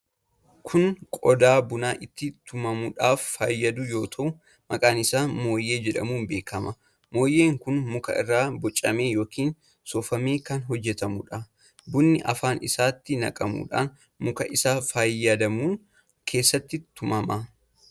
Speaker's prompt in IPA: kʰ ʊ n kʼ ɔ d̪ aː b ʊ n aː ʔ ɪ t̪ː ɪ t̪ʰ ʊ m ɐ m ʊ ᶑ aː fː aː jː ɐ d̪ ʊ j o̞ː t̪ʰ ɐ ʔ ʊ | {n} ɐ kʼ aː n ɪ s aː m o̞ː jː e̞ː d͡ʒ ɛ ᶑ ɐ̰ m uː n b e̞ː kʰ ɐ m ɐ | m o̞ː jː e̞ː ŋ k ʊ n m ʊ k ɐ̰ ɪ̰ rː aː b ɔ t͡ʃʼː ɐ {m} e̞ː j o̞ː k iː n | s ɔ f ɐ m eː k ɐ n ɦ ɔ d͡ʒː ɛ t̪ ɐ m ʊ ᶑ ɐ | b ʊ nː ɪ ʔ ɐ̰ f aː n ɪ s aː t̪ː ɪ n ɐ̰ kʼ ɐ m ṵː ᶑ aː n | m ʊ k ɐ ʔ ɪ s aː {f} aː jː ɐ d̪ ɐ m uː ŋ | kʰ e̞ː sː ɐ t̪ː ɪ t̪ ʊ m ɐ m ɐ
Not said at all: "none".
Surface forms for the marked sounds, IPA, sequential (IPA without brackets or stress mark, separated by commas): m, m, f